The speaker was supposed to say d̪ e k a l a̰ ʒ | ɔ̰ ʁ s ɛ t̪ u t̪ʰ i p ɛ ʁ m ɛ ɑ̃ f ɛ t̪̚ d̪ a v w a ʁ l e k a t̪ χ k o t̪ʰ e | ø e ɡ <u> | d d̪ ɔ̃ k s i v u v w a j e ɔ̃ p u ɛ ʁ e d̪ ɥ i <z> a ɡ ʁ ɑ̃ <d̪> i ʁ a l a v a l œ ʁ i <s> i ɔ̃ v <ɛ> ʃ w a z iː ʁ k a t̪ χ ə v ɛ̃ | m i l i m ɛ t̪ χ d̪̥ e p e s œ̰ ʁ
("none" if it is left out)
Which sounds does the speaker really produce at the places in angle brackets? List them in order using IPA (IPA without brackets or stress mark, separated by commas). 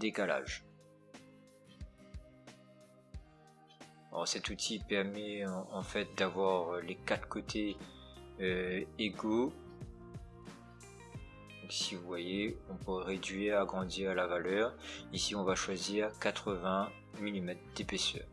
o, ʁ, d̪, s, a